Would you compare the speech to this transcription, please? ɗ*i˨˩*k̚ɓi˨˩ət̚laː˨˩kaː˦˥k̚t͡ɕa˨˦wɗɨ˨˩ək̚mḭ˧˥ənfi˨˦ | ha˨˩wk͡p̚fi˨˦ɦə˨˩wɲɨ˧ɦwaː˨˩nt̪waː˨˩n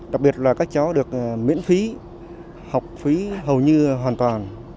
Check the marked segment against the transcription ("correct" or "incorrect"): incorrect